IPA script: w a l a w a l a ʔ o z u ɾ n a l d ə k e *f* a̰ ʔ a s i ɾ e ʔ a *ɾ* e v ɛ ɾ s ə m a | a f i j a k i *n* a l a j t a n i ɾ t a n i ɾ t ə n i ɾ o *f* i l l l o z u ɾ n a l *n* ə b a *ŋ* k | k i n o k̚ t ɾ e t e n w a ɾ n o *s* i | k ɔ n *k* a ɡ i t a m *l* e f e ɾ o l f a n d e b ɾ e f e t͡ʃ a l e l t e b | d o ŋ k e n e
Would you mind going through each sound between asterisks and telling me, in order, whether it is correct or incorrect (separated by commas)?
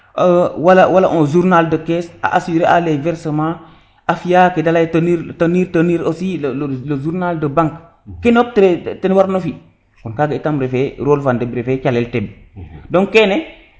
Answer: incorrect, incorrect, incorrect, incorrect, incorrect, correct, incorrect, correct, incorrect